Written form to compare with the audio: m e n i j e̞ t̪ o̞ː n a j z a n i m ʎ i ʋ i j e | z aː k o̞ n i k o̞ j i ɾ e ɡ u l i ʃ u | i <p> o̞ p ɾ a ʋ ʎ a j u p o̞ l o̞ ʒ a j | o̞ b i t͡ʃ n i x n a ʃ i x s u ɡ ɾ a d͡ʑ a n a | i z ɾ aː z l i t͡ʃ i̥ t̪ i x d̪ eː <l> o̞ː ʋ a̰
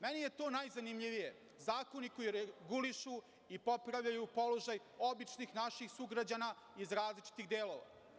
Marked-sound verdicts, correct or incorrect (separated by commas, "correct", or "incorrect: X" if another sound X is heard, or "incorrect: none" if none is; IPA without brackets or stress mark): correct, correct